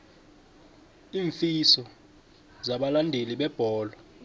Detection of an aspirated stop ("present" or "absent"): absent